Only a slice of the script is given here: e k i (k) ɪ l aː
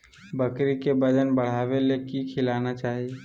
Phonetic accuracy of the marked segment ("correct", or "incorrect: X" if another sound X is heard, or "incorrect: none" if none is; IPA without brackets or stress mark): incorrect: kʰ